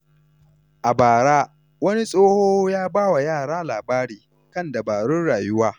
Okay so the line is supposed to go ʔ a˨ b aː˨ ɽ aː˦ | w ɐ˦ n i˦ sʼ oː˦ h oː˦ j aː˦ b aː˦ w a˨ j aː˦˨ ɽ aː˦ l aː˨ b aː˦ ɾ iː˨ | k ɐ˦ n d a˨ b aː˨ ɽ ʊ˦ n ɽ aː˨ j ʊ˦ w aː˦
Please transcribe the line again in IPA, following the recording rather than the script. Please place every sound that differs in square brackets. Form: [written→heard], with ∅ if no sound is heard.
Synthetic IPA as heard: ʔ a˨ b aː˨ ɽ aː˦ | w ɐ˦ n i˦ sʼ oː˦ h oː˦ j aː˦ b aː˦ w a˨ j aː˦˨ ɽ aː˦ l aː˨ b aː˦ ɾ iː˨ | k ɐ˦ n d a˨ b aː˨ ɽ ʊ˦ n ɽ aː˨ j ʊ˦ w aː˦